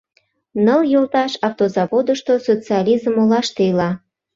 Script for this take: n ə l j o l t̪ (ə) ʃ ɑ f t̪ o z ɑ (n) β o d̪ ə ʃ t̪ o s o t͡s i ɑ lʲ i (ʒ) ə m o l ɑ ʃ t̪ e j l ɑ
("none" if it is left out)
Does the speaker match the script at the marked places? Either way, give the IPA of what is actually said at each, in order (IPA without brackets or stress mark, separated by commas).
ɑ, none, z